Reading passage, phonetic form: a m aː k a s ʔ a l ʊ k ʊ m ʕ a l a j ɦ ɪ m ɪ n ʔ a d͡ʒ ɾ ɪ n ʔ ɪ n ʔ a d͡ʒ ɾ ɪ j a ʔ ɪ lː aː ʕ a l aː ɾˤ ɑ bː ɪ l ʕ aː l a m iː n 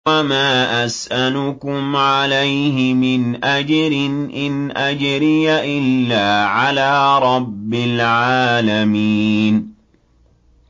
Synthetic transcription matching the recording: a m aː ʔ a s ʔ a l ʊ k ʊ m ʕ a l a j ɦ ɪ m ɪ n ʔ a d͡ʒ ɾ ɪ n ʔ ɪ n ʔ a d͡ʒ ɾ ɪ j a ʔ ɪ lː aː ʕ a l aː ɾˤ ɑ bː ɪ l ʕ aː l a m iː n